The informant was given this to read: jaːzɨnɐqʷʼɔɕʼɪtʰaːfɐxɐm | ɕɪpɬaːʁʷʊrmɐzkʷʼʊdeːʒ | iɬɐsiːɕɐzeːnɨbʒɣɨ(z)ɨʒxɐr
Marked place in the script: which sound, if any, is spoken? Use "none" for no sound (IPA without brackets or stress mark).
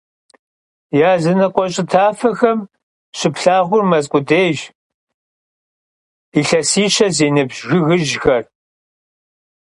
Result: ɣ